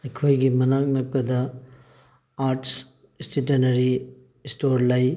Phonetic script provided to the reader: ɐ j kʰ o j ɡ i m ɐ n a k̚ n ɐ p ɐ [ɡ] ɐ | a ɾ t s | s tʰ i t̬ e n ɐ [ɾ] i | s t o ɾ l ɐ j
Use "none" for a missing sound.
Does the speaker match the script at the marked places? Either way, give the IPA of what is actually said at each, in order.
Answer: d, ɾ

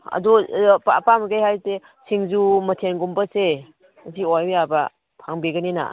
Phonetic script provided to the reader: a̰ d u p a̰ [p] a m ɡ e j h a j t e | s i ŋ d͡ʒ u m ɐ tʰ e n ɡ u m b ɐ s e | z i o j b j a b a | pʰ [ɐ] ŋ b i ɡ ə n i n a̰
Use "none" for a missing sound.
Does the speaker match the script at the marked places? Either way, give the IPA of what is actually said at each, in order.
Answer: p, a

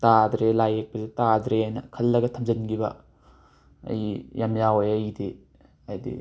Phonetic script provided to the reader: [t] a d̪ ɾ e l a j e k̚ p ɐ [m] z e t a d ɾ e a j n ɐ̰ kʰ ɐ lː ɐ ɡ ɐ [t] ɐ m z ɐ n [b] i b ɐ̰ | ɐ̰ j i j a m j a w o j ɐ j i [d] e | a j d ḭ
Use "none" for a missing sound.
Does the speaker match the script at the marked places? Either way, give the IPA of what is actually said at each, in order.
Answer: t, none, tʰ, ɡ, d

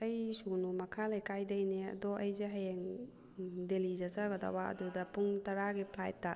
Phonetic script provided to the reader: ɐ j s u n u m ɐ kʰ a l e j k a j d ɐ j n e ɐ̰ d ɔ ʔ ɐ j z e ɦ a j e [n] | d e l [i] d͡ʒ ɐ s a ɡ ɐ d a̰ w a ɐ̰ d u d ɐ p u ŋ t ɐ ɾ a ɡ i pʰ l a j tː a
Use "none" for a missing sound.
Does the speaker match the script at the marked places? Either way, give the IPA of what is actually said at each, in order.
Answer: ŋ, i

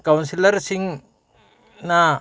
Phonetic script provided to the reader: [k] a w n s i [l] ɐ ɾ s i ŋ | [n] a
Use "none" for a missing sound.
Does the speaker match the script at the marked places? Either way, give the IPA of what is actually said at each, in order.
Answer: k, l, n

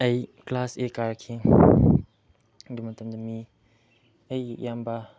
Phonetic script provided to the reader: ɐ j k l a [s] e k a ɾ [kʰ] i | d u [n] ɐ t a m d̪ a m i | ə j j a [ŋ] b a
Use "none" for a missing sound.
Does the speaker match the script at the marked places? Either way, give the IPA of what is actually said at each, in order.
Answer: s, kʰ, m, m

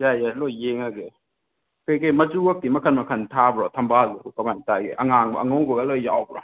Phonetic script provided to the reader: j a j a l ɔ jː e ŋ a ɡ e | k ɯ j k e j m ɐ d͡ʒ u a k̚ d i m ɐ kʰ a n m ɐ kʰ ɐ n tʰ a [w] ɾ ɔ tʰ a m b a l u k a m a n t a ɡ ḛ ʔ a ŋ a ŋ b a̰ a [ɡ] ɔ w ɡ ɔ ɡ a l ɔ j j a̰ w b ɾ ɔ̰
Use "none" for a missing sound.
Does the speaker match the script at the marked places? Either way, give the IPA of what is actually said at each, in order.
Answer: b, ŋ

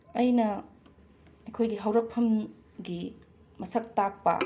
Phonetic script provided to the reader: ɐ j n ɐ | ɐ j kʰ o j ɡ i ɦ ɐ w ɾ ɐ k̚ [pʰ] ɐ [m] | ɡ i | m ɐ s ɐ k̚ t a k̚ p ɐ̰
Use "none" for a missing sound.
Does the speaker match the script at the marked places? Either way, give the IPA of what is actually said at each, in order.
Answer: pʰ, m

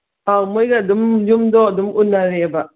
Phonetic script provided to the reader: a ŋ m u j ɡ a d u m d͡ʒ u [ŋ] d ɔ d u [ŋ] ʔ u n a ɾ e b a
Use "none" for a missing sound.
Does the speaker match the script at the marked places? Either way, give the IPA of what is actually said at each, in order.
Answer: m, m

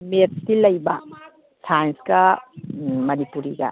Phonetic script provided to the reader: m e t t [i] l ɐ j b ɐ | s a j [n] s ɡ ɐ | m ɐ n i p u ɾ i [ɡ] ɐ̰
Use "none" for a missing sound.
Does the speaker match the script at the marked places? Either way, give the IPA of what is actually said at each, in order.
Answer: i, n, ɡ

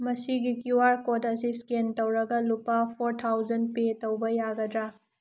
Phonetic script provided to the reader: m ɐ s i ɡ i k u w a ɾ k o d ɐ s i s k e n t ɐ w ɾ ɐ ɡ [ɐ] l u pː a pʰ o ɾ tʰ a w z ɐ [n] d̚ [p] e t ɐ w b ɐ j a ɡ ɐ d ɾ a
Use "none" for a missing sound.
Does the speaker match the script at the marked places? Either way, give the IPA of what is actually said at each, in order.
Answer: ɐ, n, p

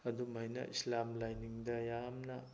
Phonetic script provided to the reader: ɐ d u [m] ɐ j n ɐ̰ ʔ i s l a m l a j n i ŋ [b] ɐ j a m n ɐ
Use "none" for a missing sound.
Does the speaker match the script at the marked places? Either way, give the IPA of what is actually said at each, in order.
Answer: m, d

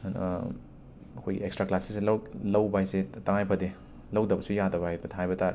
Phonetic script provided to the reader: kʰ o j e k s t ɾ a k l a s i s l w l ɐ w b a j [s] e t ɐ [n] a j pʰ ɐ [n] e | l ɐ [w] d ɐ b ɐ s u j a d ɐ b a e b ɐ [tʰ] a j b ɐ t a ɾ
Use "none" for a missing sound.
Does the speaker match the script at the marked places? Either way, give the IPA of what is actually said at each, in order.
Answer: s, ŋ, d, w, tʰ

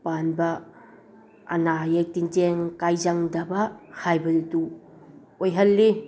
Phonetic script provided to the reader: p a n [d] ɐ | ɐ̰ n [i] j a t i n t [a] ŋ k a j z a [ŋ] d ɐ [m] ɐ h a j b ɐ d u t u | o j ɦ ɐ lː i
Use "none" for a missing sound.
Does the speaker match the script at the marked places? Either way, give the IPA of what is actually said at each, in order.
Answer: b, a, e, ŋ, b

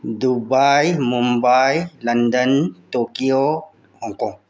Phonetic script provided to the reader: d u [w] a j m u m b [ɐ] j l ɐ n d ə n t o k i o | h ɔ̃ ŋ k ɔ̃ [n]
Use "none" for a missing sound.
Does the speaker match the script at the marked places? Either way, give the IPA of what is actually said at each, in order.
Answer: b, a, ŋ

